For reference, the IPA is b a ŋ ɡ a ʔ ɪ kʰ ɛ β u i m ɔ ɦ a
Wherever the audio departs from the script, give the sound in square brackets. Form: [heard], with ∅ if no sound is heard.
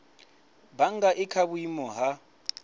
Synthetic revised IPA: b a ŋ ɡ a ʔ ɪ kʰ [a] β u i m ɔ ɦ a